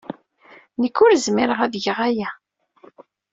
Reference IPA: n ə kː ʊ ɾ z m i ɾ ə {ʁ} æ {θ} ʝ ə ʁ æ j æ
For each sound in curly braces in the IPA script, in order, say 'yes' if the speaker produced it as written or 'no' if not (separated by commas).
yes, no